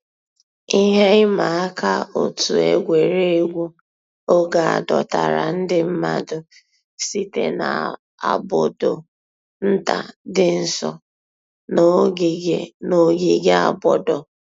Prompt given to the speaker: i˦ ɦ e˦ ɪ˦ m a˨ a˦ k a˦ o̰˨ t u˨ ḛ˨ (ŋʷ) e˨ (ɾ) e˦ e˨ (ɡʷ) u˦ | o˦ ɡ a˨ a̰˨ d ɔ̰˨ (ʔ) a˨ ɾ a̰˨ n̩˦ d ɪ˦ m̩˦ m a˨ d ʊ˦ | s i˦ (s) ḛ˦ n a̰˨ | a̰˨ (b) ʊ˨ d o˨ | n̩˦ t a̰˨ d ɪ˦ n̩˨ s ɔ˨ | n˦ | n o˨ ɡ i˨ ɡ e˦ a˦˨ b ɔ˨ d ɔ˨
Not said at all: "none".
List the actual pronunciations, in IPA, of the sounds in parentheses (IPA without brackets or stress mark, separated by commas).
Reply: ɡʷ, ɾ, ɡʷ, t, t, b